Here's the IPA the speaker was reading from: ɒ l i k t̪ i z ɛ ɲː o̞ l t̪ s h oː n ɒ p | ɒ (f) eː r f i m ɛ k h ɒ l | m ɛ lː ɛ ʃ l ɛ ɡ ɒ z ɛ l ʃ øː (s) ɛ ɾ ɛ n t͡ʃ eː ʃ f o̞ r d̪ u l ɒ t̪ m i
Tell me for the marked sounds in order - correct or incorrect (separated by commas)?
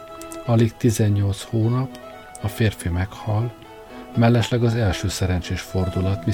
correct, correct